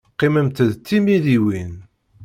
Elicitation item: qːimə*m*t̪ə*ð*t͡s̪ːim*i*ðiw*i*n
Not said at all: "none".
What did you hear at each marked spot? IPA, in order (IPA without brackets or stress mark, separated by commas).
m, ð, i, i